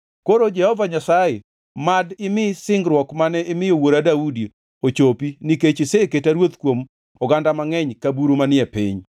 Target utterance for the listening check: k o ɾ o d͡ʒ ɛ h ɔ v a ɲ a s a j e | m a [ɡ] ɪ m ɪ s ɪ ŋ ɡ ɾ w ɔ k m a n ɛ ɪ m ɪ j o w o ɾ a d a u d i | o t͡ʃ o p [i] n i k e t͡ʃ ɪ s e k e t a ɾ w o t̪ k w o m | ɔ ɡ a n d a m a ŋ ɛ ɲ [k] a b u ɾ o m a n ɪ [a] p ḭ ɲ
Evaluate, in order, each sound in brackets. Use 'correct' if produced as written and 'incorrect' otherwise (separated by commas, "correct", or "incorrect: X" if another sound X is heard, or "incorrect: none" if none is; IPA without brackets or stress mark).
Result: incorrect: d, correct, correct, incorrect: ɛ